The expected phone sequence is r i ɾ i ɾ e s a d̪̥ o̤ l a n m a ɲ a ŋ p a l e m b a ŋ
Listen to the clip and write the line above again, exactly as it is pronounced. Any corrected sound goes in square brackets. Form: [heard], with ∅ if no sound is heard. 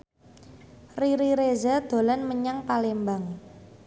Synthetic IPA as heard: r i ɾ i ɾ e [z] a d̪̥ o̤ l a n m [ə] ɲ a ŋ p a l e m b a ŋ

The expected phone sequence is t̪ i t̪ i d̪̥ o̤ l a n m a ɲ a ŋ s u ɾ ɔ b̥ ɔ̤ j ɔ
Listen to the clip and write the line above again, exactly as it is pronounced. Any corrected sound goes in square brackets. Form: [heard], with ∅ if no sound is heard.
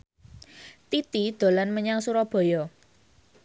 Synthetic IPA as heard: t̪ i t̪ i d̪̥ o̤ l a n m [ə] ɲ a ŋ s u ɾ ɔ b̥ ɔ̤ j ɔ

